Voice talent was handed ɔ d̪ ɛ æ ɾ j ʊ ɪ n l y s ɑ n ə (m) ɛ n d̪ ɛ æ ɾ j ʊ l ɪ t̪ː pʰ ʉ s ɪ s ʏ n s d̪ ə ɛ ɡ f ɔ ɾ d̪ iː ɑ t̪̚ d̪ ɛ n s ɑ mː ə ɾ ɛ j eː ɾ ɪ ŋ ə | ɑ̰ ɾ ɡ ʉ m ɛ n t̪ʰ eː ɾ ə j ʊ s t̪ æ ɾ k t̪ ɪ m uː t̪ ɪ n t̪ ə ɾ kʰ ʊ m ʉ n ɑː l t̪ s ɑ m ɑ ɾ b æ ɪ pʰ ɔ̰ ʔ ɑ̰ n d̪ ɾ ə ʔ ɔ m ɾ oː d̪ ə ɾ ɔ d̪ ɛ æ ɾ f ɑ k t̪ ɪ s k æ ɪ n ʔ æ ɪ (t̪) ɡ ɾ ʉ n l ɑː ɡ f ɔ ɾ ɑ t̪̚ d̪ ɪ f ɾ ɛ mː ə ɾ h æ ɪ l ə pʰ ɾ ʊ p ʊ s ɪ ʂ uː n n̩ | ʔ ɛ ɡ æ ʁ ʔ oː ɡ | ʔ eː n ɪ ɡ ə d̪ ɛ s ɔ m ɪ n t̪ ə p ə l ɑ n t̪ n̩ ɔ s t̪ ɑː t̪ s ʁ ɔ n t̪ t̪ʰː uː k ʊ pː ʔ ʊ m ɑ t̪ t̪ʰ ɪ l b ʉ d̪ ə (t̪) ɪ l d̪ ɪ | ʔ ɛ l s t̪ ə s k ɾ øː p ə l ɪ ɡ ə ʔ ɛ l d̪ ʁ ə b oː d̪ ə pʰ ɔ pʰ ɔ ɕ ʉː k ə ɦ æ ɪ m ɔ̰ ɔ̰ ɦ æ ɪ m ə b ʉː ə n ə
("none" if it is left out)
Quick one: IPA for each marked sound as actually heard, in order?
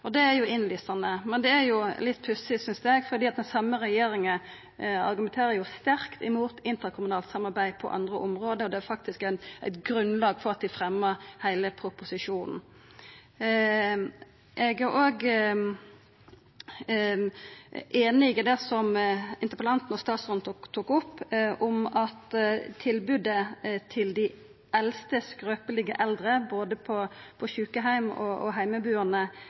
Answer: m, t̪, t̪ʰ

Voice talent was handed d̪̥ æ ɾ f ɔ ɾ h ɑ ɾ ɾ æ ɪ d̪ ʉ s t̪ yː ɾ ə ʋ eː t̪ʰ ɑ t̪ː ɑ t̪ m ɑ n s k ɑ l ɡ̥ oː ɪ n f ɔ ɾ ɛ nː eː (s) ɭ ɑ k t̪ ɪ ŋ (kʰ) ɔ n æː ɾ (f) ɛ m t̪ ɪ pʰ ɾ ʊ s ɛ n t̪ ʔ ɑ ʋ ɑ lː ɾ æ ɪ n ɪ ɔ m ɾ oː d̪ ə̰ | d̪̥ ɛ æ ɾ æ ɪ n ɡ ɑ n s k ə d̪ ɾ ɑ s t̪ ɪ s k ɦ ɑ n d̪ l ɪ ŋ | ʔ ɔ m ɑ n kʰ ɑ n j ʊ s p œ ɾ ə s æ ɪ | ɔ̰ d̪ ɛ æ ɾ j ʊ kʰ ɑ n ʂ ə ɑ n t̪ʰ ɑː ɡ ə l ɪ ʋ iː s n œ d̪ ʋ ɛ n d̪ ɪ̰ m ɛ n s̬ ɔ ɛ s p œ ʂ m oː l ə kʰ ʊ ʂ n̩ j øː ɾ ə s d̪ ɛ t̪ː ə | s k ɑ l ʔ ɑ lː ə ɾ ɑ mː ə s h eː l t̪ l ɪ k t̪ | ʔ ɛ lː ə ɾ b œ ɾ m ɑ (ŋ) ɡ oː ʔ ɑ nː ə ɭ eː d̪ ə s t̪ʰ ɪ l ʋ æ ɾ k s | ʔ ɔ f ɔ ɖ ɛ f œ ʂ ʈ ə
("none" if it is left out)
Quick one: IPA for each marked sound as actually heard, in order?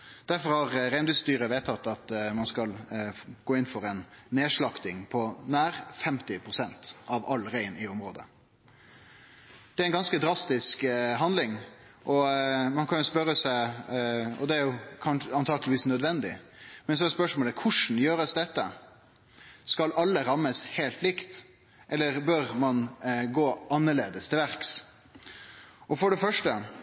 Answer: ʂ, pʰ, f, n

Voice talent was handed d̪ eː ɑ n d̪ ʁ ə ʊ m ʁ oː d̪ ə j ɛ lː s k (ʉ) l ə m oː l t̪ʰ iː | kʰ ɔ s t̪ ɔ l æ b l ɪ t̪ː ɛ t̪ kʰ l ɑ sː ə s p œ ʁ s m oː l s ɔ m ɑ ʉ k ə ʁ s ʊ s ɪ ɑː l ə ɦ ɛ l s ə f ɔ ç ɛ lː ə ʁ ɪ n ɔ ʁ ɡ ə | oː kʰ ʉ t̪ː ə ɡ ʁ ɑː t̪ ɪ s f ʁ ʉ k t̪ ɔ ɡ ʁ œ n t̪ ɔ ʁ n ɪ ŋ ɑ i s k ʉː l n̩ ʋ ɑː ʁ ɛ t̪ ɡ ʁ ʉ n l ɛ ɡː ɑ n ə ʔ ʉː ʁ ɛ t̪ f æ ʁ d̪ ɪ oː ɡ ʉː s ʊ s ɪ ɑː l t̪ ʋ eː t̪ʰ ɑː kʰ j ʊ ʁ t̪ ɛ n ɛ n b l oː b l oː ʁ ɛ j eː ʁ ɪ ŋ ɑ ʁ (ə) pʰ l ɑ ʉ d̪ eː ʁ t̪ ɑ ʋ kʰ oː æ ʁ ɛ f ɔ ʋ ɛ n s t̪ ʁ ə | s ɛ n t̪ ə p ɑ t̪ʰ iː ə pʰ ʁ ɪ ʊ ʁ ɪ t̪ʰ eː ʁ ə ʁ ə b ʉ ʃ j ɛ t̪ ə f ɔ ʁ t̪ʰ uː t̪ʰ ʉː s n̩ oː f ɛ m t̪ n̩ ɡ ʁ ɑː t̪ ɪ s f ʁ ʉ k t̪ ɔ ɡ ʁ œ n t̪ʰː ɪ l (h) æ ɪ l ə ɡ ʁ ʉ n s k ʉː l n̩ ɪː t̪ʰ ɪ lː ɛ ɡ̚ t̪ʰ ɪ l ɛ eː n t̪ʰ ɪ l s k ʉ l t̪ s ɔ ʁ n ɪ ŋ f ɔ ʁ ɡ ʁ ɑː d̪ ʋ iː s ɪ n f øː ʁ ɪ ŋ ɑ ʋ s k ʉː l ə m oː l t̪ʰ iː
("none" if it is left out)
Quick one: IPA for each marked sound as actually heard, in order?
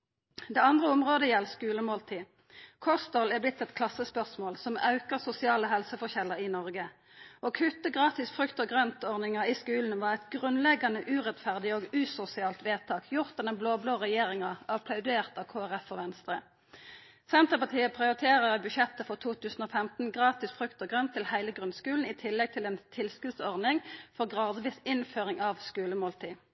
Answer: ʉː, ɑ, h

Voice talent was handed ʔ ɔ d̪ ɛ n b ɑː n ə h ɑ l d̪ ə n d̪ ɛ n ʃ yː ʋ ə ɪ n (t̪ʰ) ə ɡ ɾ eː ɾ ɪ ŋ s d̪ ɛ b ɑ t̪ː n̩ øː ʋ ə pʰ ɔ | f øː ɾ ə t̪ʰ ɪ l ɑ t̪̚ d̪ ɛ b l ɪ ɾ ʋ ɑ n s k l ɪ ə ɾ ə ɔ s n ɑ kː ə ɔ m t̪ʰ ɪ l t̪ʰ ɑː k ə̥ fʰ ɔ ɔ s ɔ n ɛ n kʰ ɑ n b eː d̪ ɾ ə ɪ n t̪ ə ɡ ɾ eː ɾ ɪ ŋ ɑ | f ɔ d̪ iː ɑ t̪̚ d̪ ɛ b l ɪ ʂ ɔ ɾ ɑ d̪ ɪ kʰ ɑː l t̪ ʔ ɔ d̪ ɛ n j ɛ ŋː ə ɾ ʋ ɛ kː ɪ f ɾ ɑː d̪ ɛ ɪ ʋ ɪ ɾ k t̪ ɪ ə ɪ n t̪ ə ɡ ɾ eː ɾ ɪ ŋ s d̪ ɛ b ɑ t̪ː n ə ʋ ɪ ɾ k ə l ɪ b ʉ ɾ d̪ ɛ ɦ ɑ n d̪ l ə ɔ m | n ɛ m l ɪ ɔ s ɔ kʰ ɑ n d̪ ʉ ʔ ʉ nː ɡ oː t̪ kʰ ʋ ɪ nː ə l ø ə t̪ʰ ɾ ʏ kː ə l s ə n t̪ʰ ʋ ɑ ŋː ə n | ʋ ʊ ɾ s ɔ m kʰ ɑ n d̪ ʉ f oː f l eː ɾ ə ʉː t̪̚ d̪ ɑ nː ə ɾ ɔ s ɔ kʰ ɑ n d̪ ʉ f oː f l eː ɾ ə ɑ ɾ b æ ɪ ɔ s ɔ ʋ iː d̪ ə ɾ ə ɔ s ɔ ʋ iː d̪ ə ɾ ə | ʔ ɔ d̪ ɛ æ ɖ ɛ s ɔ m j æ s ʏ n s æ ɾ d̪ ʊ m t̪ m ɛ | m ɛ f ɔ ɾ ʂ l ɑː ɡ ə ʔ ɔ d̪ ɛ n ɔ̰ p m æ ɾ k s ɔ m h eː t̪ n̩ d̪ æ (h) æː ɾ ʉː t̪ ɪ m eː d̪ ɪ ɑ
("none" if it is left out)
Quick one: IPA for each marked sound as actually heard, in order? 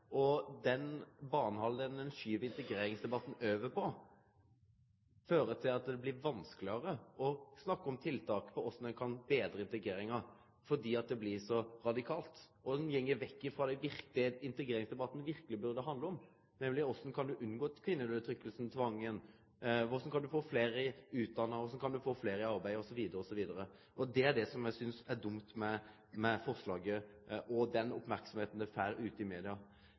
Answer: t̪, f

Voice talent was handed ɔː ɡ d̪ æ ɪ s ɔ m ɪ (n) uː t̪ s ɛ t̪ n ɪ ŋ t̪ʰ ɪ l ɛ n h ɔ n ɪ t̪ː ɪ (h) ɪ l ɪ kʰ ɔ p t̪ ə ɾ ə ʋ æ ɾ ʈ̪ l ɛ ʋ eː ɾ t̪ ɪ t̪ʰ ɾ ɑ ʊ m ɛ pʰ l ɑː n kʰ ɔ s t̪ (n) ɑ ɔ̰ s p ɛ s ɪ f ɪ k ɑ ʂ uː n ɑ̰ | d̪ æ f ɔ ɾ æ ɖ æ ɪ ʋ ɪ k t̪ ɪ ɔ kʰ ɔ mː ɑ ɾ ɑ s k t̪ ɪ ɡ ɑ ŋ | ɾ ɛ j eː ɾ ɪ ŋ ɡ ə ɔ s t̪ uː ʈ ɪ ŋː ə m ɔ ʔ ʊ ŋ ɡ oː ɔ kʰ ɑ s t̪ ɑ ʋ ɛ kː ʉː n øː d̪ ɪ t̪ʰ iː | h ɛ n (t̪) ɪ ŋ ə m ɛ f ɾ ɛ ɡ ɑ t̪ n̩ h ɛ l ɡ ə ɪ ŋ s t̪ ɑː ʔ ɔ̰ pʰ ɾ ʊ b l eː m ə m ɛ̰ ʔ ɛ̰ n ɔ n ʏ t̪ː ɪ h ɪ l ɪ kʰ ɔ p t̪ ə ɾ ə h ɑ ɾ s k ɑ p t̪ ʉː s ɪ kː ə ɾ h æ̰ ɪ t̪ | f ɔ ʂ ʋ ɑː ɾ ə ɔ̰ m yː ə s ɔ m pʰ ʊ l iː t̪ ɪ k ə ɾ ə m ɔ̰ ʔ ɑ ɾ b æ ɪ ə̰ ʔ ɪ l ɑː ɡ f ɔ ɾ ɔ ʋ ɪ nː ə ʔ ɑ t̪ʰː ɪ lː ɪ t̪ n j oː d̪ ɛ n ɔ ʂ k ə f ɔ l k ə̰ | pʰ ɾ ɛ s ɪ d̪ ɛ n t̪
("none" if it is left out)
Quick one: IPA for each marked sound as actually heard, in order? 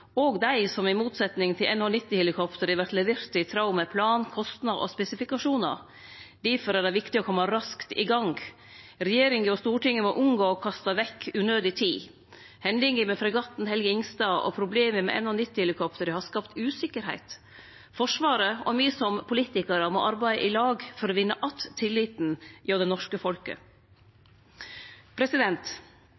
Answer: m, h, n, d̪

